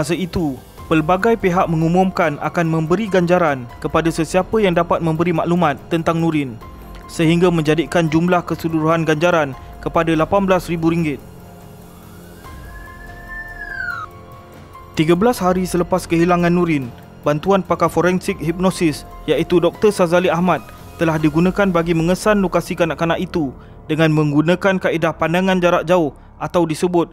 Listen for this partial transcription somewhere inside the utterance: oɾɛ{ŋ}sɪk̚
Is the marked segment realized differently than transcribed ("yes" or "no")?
yes